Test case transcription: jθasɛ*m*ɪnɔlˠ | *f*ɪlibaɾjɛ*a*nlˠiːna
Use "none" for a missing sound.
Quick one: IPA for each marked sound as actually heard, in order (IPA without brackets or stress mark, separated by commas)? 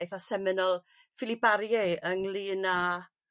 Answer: m, f, ə